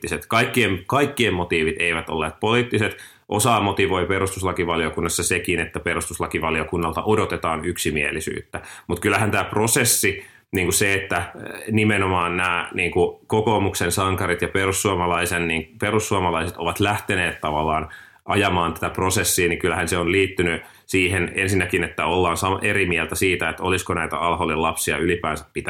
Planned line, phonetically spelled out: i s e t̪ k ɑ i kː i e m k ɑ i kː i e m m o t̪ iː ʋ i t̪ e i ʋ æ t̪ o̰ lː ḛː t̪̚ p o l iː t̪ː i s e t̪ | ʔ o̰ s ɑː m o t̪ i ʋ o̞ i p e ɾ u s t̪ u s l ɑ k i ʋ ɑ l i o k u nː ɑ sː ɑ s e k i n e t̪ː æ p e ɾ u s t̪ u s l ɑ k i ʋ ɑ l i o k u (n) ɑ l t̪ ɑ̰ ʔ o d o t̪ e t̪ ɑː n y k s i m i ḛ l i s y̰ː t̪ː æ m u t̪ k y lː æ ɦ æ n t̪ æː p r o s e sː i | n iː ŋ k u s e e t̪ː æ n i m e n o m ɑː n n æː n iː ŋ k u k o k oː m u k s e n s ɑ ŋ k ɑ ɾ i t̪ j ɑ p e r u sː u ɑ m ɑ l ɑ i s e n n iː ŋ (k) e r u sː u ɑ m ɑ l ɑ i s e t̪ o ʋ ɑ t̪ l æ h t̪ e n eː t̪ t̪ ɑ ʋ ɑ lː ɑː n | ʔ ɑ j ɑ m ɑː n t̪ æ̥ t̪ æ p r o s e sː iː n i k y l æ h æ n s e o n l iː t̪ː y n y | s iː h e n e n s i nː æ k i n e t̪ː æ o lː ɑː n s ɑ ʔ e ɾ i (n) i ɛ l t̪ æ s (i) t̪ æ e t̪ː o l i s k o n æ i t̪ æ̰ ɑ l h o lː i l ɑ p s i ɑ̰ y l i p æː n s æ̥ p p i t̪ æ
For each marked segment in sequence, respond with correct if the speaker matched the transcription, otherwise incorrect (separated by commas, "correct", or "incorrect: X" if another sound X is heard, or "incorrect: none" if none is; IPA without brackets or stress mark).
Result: incorrect: nː, incorrect: p, incorrect: m, incorrect: iː